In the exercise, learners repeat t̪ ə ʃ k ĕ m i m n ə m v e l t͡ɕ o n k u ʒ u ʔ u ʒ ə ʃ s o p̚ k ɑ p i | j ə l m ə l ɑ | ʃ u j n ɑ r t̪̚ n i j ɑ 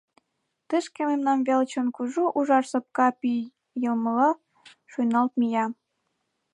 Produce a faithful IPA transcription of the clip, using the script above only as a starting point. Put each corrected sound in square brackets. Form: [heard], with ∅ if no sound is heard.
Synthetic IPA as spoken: t̪ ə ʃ k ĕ m [e] m n [ɑ] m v e l t͡ɕ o n k u ʒ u ʔ u ʒ [ɑ] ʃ s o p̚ k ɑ p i | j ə l m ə l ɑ | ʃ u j n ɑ [l] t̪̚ [m] i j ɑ